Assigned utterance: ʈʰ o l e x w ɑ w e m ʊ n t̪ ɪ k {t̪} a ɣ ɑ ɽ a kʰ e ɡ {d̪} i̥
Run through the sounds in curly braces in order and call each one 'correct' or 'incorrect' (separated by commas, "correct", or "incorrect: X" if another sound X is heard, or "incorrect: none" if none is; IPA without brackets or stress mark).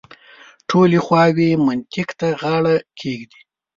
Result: correct, correct